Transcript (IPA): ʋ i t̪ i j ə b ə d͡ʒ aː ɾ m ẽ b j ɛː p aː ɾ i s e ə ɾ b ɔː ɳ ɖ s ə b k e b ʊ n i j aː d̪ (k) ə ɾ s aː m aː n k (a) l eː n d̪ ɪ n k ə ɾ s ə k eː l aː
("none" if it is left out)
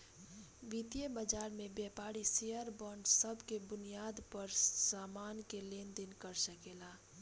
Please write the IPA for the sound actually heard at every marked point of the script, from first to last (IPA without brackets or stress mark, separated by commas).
p, e